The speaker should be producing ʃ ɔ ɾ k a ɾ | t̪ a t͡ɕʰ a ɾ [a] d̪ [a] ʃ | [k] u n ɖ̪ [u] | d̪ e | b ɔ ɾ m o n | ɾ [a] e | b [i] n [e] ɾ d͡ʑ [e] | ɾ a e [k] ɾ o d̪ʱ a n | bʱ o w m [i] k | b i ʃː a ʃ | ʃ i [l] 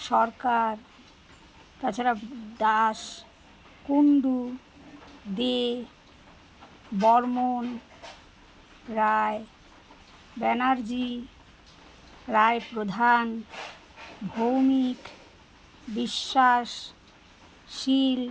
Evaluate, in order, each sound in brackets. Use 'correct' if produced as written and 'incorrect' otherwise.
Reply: correct, correct, correct, correct, correct, incorrect, incorrect, incorrect, incorrect, correct, correct

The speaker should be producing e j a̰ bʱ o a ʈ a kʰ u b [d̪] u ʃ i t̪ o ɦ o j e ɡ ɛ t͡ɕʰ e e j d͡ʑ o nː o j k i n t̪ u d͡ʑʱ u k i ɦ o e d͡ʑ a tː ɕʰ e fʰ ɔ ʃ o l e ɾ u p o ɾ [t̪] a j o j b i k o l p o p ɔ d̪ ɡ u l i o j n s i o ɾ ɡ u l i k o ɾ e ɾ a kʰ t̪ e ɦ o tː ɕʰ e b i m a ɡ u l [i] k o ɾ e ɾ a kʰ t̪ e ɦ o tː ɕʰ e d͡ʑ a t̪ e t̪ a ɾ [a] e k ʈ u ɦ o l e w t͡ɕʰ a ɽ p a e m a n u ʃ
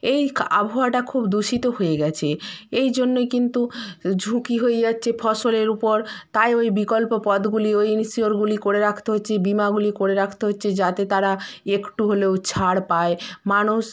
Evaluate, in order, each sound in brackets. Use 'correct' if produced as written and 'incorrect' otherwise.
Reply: correct, correct, correct, correct

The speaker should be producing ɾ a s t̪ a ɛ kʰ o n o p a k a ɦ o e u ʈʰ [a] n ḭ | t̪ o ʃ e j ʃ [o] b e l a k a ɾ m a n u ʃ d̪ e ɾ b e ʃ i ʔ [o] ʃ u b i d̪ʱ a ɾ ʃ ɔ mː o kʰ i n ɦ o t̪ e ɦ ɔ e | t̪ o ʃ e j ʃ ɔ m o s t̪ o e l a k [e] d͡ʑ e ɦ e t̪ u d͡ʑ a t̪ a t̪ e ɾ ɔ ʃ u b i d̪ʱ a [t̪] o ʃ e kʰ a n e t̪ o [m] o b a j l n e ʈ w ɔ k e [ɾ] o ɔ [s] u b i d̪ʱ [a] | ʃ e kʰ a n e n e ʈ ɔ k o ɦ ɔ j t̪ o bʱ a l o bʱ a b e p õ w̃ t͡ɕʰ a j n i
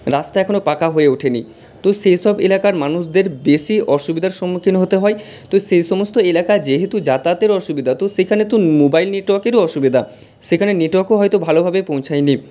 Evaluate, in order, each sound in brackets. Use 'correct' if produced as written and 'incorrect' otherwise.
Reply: incorrect, incorrect, incorrect, incorrect, correct, correct, correct, incorrect, correct

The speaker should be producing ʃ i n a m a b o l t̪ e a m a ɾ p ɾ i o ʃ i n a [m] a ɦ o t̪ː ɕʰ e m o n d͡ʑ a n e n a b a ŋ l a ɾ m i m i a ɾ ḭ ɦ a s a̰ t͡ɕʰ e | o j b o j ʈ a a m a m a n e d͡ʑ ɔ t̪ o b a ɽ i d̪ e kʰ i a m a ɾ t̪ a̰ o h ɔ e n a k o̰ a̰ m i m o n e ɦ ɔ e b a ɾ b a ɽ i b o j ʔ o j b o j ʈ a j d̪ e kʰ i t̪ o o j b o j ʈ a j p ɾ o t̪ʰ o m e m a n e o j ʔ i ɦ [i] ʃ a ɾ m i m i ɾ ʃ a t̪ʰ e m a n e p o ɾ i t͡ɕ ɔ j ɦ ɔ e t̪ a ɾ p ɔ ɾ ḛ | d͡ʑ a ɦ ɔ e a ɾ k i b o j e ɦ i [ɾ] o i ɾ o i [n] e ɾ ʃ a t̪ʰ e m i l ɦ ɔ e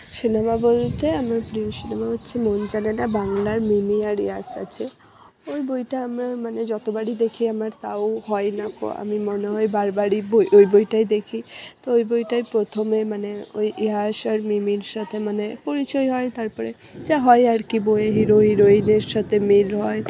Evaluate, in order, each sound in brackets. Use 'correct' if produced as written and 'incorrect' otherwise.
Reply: correct, incorrect, correct, correct

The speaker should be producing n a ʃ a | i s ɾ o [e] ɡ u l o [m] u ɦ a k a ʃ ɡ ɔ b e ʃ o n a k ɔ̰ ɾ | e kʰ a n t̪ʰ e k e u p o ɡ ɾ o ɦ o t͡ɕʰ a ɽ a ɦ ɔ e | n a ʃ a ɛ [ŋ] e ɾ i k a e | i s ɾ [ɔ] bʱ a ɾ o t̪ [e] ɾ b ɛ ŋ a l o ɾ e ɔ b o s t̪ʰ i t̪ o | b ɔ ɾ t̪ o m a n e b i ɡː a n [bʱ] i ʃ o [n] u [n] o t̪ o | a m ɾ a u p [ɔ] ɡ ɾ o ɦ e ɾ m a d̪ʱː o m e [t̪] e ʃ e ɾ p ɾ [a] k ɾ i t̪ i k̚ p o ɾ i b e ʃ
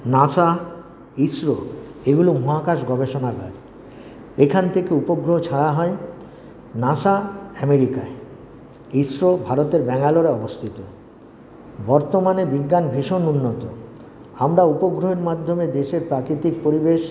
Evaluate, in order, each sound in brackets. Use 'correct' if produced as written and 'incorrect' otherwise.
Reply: correct, correct, incorrect, incorrect, correct, correct, correct, incorrect, incorrect, incorrect, correct

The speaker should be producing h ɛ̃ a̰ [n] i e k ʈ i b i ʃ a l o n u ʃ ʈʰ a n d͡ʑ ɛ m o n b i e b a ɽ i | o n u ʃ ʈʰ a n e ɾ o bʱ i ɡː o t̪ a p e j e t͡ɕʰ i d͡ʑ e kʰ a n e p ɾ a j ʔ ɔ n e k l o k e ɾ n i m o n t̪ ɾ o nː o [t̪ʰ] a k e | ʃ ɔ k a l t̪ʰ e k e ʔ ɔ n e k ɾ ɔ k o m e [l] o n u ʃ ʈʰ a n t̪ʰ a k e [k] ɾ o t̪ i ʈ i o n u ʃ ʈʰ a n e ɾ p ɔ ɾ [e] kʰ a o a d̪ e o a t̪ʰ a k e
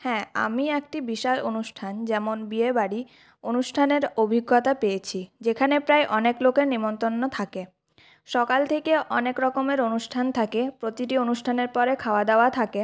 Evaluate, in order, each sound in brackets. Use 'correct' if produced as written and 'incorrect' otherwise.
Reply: incorrect, correct, incorrect, incorrect, correct

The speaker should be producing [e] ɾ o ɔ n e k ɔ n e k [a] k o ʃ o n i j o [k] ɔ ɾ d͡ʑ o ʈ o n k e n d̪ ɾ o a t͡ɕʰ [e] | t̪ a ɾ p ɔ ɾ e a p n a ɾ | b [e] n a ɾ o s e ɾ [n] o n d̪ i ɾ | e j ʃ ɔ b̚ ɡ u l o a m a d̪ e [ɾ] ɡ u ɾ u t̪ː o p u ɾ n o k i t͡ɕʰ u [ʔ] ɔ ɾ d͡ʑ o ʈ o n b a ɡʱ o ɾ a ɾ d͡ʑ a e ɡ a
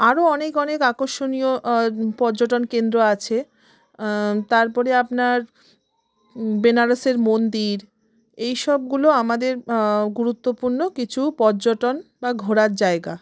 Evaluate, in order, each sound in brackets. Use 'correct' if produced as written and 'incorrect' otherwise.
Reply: incorrect, correct, incorrect, correct, correct, incorrect, correct, incorrect

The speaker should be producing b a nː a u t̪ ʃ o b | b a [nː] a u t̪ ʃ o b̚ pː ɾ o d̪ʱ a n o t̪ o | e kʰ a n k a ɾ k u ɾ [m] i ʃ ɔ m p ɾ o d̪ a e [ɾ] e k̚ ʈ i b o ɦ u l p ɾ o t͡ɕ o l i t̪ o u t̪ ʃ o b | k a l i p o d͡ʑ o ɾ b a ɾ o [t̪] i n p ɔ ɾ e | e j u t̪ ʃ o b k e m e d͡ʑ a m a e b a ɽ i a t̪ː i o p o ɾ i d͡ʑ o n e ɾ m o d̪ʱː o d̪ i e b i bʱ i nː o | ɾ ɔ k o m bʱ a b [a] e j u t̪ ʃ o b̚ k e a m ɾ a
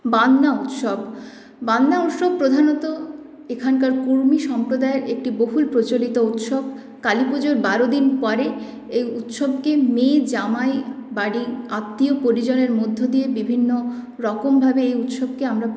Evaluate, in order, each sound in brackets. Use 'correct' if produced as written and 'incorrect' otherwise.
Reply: correct, correct, correct, incorrect, incorrect

